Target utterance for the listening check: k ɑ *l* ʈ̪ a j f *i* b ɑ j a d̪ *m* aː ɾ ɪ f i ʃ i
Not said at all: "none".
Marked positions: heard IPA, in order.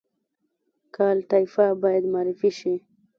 l, a, m

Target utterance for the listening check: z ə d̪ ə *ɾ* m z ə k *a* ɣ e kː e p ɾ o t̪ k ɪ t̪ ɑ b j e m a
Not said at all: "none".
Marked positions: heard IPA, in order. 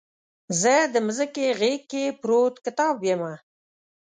none, e

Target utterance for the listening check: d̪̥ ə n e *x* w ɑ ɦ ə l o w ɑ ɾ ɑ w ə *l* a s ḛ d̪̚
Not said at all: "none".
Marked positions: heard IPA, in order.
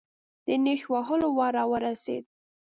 ʃ, ɾ

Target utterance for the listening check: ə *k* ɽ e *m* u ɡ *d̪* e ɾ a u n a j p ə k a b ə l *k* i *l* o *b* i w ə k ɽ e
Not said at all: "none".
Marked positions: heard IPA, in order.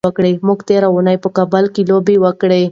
k, m, t̪, k, l, b

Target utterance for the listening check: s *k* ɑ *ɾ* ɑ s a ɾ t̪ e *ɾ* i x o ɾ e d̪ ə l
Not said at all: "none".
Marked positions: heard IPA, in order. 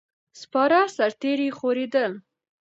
p, ɾ, ɾ

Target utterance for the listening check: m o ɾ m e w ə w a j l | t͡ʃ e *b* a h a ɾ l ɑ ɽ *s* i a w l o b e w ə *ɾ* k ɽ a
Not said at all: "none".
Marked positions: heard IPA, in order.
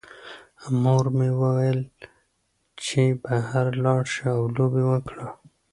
b, ʃ, none

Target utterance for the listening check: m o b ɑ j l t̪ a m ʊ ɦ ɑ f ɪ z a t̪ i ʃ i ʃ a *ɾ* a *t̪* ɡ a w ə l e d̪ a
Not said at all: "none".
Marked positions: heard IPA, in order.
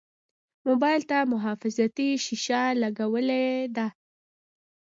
l, none

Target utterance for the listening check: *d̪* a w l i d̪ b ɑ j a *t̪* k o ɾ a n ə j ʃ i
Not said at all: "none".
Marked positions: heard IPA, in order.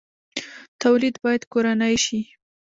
t̪, d̪

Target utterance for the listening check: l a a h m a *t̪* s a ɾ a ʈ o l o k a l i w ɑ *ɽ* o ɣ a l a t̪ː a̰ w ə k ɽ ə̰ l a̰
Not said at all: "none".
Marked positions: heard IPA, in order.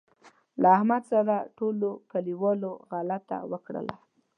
d̪, l

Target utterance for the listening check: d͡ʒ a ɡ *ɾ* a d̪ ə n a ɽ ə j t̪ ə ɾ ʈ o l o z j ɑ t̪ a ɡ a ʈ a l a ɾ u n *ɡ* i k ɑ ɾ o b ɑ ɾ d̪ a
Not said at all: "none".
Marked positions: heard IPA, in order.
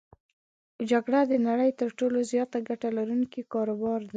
ɽ, k

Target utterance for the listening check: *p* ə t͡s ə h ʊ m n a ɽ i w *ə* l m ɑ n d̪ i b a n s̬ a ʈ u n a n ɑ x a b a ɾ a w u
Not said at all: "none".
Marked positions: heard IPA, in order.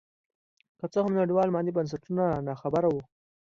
k, ɑ

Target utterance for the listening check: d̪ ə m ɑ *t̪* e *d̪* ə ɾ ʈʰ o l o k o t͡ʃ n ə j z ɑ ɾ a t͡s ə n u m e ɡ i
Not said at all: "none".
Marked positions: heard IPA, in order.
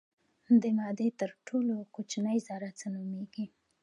d̪, t̪

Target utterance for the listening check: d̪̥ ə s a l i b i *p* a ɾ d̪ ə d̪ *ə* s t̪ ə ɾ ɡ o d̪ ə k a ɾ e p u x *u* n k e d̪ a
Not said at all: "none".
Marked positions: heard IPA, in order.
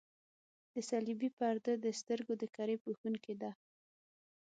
p, ə, u

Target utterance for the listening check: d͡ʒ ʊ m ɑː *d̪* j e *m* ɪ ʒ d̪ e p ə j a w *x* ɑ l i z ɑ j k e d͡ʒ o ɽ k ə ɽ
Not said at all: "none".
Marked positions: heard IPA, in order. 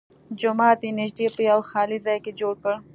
t̪, n, x

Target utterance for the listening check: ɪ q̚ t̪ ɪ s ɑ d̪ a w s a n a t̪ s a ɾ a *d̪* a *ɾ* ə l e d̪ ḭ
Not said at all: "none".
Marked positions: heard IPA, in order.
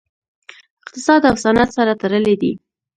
t̪, ɾ

